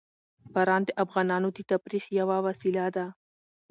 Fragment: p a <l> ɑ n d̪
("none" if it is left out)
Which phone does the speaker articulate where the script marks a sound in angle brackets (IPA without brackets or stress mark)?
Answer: ɾ